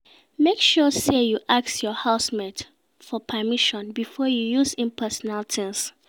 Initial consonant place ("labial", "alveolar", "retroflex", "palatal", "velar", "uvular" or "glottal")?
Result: labial